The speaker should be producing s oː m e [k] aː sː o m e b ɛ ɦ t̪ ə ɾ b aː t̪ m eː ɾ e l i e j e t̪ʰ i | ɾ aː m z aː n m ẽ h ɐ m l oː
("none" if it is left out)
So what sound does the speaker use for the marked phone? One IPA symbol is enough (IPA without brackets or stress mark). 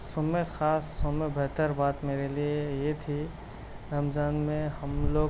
x